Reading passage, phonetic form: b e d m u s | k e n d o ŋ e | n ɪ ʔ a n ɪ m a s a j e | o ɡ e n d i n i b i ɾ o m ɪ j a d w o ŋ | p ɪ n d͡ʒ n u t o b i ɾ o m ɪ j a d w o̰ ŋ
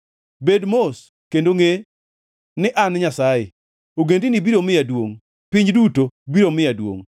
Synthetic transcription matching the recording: b e d m o s | k e n d o ŋ e | n ɪ ʔ a n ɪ ɲ a s a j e | o ɡ e n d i n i b i ɾ o m ɪ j a d w o ŋ | p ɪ ɲ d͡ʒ d u t o b i ɾ o m ɪ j a d w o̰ ŋ